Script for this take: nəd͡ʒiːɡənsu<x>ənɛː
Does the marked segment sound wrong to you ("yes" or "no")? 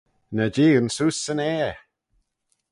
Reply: yes